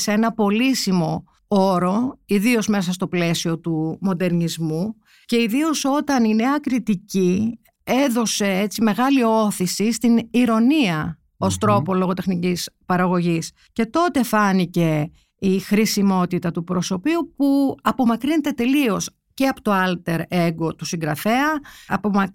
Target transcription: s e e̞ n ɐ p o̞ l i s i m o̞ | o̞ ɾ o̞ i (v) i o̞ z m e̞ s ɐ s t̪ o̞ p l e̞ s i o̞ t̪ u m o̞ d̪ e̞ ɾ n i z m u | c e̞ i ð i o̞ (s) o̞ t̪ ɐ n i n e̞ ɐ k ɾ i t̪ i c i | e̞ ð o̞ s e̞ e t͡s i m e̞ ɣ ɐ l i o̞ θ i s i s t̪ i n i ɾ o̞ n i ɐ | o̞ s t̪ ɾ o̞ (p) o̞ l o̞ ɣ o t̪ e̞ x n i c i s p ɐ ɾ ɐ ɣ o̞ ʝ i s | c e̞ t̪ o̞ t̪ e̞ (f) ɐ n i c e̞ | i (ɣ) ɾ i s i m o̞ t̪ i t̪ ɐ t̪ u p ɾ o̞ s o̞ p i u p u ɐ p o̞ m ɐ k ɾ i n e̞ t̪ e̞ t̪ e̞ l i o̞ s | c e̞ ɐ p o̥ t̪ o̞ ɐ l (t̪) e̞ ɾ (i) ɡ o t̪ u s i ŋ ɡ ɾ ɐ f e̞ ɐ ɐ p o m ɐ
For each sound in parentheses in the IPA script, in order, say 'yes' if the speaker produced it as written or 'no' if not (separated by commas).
no, yes, yes, yes, no, yes, no